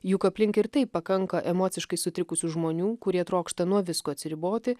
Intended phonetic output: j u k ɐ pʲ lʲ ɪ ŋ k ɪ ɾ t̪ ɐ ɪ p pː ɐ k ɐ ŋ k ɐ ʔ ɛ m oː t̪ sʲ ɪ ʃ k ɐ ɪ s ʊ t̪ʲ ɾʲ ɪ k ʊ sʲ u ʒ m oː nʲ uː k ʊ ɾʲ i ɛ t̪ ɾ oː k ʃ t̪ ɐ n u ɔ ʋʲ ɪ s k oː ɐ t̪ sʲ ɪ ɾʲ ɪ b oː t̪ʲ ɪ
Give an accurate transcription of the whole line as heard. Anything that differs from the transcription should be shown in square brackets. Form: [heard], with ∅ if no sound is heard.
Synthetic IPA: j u k ɐ pʲ lʲ ɪ ŋ k ɪ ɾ t̪ ɐ ɪ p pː ɐ k ɐ ŋ k ɐ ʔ ɛ m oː t̪ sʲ ɪ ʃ k ɐ ɪ s ʊ t̪ʲ ɾʲ ɪ k ʊ sʲ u ʒ m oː nʲ uː k ʊ ɾʲ i ɛ t̪ ɾ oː k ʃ t̪ ɐ n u ɔ ʋʲ ɪ s k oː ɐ t̪ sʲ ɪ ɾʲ ɪ b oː t̪ʲ ɪ